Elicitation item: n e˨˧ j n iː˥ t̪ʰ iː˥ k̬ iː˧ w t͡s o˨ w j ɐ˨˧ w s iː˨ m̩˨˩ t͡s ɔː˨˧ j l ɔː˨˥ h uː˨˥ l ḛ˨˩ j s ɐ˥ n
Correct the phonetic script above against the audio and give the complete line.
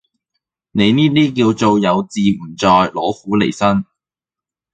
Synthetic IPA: n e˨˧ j n iː˥ t̪ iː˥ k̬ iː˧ w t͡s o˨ w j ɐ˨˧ w t͡s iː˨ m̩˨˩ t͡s ɔː˨˧ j l ɔː˨˥ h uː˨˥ l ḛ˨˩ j s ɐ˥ n